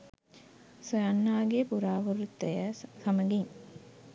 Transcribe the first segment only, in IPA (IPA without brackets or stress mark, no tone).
s